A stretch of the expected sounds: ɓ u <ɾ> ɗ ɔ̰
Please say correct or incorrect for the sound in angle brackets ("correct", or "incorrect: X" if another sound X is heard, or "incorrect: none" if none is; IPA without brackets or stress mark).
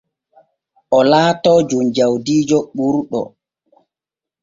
correct